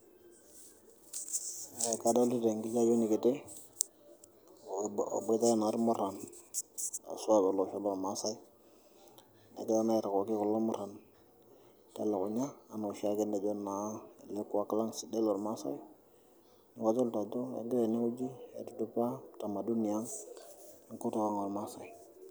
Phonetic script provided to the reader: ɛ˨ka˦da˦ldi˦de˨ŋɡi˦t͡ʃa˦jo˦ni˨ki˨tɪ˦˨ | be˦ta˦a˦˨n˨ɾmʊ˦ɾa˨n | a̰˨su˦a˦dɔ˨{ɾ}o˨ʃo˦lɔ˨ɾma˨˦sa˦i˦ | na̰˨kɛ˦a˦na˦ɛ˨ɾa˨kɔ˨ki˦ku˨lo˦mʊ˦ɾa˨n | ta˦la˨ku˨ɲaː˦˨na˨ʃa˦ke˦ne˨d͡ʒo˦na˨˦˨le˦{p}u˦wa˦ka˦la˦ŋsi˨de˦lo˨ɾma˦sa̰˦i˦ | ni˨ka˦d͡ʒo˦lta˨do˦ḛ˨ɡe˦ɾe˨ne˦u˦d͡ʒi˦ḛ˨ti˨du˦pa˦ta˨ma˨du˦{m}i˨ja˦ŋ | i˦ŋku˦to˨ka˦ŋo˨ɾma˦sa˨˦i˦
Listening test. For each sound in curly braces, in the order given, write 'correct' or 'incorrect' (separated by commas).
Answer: incorrect, incorrect, incorrect